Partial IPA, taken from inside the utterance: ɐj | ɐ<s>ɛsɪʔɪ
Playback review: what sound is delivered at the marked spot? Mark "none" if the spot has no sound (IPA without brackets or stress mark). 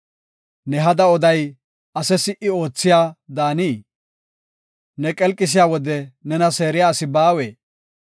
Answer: s